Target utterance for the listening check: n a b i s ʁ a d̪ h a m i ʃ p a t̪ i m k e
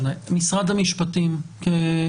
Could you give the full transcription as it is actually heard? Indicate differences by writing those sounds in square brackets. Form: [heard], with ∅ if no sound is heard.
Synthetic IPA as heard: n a [m] i s ʁ a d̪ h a m i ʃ p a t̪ i m k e